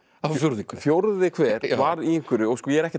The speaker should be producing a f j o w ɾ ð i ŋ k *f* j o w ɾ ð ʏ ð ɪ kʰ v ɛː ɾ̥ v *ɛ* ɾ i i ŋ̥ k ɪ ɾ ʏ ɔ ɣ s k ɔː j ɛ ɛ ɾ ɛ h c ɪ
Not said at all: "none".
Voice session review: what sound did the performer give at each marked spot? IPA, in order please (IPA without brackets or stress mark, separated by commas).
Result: f, a